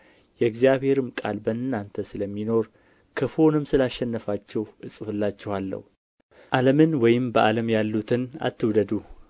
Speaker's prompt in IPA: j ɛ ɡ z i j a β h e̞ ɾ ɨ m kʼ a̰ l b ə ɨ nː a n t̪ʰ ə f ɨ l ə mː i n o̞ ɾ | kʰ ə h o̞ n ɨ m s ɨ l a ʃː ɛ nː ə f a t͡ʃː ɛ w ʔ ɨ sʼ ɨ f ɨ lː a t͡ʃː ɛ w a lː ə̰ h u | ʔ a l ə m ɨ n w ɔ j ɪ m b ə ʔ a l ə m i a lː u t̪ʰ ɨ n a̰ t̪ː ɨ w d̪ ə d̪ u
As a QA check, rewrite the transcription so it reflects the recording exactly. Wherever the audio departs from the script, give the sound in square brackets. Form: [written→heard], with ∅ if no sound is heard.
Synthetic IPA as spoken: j ɛ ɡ z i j a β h e̞ ɾ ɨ m kʼ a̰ l b ə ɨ nː a n t̪ʰ ə [f→s] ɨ l ə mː i n o̞ ɾ | kʰ ə [h→f] o̞ n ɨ m s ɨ l a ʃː ɛ nː ə f a t͡ʃː ɛ w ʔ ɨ sʼ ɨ f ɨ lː a t͡ʃː ɛ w a lː ə̰ h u | ʔ a l ə m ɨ n w ɔ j ɪ m b ə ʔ a l ə m [i→j] a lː u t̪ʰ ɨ n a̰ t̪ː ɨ w d̪ ə d̪ u